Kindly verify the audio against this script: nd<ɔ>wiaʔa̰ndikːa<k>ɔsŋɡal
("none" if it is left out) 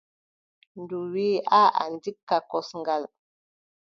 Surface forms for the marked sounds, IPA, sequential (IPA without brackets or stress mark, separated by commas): u, k